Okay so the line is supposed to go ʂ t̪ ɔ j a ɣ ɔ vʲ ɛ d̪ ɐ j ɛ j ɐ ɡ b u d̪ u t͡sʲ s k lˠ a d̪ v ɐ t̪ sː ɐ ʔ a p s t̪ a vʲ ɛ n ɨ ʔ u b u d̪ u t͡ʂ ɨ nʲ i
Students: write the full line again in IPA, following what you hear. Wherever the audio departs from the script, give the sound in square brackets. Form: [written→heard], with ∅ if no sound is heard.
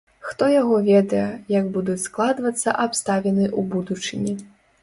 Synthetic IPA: [ʂ→x] t̪ ɔ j a ɣ ɔ vʲ ɛ d̪ ɐ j ɛ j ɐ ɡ b u d̪ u t͡sʲ s k lˠ a d̪ v ɐ t̪ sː ɐ ʔ a p s t̪ a vʲ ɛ n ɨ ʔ u b u d̪ u t͡ʂ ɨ nʲ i